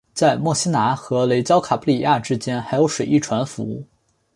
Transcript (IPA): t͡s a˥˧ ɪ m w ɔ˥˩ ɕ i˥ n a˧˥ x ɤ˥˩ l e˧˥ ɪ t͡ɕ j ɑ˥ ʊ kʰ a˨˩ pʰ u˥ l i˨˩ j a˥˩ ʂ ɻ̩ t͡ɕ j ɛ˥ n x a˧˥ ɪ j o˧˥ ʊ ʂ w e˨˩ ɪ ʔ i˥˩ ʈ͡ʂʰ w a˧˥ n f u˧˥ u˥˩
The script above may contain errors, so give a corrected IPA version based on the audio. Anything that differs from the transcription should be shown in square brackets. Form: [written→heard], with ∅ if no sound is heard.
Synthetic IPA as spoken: t͡s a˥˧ ɪ m w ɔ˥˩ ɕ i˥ n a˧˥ x [ɤ˥˩→ɤ˧˥] l e˧˥ ɪ t͡ɕ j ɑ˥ ʊ kʰ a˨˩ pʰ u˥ l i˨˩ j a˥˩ [ʂ→ʈ͡ʂ] ɻ̩ t͡ɕ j ɛ˥ n x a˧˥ ɪ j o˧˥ ʊ ʂ w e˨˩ ɪ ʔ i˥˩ ʈ͡ʂʰ w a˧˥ n f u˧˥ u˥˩